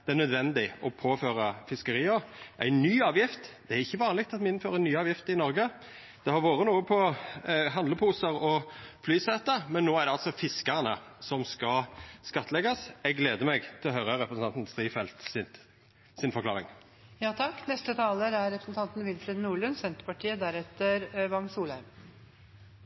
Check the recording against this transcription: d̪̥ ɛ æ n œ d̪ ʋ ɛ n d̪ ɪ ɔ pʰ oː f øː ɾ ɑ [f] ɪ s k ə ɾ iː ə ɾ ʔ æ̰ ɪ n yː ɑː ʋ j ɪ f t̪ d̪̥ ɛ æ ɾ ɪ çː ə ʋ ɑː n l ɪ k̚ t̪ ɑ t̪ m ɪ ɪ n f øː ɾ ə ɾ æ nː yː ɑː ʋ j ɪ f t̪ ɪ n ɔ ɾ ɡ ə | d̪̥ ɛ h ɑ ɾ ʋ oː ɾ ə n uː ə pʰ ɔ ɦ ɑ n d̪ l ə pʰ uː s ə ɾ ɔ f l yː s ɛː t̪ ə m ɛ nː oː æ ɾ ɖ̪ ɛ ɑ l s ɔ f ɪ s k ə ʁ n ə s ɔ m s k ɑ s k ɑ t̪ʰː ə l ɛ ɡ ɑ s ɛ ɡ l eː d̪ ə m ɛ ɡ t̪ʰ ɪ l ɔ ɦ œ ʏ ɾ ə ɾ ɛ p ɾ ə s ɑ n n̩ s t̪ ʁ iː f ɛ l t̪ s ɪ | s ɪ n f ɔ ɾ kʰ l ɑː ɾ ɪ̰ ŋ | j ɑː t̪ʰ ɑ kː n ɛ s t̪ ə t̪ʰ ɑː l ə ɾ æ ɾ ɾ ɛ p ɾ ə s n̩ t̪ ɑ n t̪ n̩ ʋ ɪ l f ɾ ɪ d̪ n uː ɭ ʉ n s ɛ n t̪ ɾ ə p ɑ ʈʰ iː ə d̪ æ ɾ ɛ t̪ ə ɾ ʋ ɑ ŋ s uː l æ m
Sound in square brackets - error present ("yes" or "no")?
no